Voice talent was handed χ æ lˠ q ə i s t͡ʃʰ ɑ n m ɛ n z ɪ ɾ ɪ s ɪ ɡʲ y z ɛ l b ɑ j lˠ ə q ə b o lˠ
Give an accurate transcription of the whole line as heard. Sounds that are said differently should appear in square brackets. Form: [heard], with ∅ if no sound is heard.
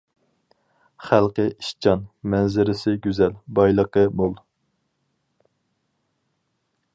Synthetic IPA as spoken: χ æ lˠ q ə i [ʃ] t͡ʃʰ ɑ n m ɛ n z ɪ ɾ ɪ s ɪ ɡʲ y z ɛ l b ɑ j lˠ ə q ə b o lˠ